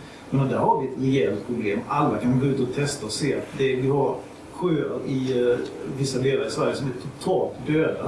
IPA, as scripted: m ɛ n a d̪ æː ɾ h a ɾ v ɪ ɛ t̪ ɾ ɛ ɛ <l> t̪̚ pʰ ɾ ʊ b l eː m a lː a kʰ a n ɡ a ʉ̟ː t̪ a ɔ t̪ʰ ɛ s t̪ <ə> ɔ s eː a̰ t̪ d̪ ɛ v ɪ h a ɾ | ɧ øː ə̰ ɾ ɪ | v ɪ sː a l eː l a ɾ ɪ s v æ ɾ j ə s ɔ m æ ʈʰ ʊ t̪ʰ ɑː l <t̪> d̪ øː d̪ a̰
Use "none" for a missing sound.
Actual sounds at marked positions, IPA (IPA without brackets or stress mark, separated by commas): l, a, t̪